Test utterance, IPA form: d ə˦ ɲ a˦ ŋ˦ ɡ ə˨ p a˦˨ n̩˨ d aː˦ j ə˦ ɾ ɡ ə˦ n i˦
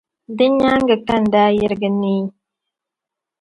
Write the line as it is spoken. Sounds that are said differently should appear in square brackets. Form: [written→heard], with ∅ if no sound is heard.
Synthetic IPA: d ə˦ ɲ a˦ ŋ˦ ɡ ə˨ [p→k] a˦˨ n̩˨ d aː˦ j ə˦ ɾ ɡ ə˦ n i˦